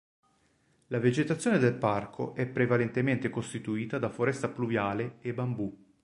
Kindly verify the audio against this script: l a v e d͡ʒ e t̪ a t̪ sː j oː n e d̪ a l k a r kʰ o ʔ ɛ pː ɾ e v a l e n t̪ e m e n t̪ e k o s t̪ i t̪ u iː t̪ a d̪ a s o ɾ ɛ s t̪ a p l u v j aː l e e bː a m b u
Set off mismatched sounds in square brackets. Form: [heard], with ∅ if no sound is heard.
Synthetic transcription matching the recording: l a v e d͡ʒ e t̪ a t̪ sː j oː n e d̪ [e] l [p] a r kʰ o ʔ ɛ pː ɾ e v a l e n t̪ e m e n t̪ e k o s t̪ i t̪ u iː t̪ a d̪ a [f] o ɾ ɛ s t̪ a p l u v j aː l e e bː a m b u